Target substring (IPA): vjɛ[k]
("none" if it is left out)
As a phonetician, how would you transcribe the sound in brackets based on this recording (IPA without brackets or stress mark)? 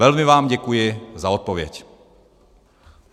c